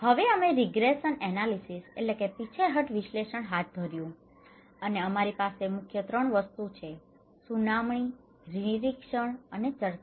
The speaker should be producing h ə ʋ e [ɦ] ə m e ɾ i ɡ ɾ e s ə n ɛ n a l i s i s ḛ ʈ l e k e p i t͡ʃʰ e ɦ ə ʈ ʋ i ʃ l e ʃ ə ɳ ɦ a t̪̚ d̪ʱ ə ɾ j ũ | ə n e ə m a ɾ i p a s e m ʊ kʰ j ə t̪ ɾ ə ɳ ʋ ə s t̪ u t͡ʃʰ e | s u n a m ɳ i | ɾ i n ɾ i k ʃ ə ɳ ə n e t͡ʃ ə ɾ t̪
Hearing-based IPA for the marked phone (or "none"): none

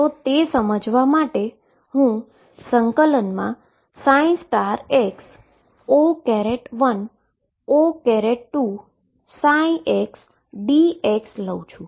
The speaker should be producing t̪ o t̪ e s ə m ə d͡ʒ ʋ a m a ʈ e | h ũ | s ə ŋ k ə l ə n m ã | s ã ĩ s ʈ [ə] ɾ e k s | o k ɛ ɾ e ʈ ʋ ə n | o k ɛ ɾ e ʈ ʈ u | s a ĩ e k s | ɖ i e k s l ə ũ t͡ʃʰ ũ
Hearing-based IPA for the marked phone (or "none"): a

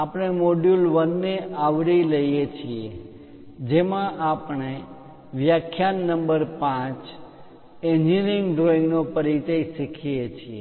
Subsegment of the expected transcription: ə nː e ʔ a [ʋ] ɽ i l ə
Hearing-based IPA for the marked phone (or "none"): ʋ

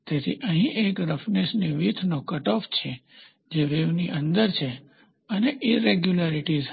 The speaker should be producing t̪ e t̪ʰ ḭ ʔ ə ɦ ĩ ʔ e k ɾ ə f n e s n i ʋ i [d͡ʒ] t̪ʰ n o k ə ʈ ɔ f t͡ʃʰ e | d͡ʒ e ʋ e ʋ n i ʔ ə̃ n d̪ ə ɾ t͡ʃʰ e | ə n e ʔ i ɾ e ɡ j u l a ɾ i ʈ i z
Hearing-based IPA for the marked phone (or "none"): none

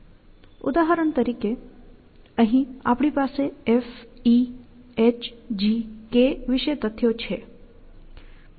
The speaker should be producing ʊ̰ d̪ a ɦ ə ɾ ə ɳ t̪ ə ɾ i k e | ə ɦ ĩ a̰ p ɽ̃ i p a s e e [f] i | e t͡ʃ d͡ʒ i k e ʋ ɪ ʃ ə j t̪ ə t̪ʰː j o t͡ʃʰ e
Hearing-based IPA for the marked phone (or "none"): f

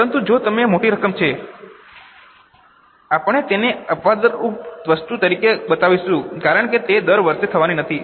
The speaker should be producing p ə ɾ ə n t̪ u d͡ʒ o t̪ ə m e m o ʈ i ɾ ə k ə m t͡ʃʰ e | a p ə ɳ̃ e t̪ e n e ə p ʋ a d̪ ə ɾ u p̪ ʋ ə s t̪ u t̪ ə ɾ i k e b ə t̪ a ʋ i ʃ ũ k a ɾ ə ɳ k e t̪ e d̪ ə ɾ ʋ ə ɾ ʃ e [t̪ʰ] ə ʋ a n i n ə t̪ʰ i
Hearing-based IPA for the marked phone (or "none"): t̪ʰ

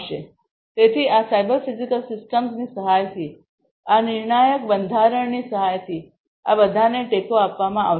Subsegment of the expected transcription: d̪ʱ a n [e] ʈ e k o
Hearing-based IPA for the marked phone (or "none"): e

